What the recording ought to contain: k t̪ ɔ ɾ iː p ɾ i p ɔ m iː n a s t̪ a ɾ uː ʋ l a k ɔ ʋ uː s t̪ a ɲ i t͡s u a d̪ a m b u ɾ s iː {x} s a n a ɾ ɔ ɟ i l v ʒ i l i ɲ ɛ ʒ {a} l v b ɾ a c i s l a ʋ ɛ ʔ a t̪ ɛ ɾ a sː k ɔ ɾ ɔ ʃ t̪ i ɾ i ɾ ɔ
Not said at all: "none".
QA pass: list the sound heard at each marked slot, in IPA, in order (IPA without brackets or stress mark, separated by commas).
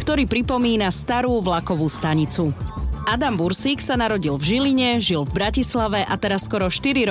k, i